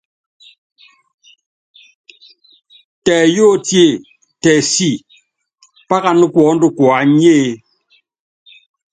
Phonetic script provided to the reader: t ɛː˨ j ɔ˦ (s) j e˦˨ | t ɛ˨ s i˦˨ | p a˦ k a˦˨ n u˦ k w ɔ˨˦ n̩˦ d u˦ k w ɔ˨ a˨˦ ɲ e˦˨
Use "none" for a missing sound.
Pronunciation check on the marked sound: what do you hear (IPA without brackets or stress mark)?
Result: t